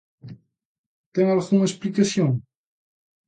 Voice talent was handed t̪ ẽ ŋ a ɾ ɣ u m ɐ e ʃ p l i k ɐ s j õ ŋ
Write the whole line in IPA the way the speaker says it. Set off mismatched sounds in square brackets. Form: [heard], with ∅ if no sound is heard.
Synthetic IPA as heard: t̪ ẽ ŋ a [l] ɣ u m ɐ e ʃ p l i k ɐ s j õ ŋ